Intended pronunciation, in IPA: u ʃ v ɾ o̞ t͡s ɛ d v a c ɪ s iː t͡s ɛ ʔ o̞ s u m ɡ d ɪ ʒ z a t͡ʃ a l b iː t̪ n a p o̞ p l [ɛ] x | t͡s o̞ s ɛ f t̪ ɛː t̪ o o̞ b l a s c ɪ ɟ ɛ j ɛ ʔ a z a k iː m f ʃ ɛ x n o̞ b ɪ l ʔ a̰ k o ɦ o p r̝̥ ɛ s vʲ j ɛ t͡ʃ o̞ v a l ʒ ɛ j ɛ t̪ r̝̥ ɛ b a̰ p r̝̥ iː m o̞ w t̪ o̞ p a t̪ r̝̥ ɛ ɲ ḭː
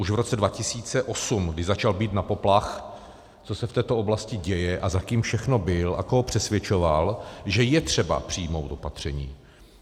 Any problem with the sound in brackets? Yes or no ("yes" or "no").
yes